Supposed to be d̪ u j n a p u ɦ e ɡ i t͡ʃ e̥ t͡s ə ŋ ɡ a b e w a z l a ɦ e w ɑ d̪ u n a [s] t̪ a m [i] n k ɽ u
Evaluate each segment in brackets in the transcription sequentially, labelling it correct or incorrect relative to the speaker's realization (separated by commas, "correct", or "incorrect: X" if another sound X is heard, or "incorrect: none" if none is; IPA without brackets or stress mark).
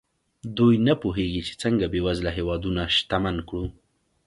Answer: incorrect: ʃ, incorrect: a